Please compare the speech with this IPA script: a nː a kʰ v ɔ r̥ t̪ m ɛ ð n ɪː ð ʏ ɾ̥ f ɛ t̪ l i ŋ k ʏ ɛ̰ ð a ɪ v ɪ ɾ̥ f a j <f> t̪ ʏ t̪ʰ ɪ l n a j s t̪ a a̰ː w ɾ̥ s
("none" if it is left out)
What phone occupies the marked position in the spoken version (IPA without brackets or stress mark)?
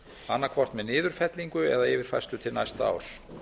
s